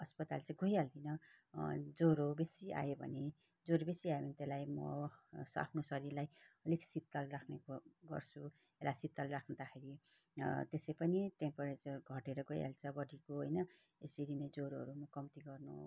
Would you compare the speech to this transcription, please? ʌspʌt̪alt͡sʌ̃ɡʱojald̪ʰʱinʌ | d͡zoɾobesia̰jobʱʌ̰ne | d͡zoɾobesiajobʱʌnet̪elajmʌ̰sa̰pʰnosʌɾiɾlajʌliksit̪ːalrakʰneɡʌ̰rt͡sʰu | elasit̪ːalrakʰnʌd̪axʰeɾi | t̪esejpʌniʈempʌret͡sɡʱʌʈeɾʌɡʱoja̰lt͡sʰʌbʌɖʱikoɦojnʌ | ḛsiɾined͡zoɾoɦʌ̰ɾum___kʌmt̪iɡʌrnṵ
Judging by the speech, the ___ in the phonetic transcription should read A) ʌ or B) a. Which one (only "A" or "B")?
A